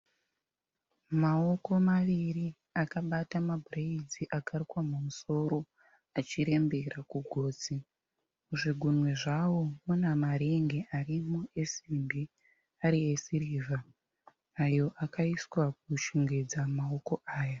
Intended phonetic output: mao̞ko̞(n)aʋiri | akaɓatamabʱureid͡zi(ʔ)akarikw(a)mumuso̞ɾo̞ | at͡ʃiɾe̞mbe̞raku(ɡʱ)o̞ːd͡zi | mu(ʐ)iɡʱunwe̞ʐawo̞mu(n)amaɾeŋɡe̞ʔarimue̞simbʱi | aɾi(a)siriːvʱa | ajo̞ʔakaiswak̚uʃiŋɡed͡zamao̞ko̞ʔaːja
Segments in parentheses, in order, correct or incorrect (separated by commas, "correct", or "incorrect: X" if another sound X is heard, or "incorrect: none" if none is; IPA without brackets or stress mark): incorrect: m, correct, correct, correct, correct, correct, incorrect: e